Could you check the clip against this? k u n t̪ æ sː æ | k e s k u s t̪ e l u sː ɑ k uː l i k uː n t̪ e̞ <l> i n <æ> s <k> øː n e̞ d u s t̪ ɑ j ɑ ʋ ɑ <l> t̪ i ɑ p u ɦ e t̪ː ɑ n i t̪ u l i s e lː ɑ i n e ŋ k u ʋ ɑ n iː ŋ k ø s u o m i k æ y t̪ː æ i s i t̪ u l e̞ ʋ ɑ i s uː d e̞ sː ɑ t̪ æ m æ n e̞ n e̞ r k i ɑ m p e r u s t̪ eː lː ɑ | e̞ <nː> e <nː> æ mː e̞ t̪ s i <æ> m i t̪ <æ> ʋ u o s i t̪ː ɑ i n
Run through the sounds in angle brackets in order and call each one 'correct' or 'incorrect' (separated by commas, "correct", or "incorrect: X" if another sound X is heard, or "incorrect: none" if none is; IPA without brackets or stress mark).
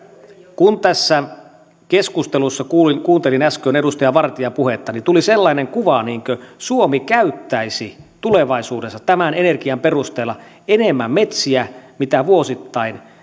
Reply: correct, correct, correct, incorrect: r, incorrect: n, incorrect: mː, correct, correct